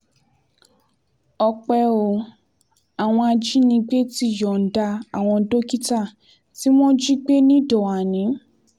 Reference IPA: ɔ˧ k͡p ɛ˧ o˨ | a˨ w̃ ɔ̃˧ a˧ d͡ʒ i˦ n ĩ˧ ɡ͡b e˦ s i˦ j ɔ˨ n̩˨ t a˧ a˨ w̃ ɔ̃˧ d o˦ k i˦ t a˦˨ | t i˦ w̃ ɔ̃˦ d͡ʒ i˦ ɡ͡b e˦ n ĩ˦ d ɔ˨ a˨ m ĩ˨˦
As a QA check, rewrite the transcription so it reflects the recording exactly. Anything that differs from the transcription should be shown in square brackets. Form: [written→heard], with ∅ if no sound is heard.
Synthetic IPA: ɔ˧ k͡p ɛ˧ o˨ | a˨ w̃ ɔ̃˧ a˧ d͡ʒ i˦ n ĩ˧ ɡ͡b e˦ [s→t] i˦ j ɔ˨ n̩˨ [t→d] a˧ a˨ w̃ ɔ̃˧ d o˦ k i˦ t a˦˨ | t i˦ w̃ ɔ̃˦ d͡ʒ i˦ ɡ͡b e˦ n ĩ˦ d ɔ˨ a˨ [m→n] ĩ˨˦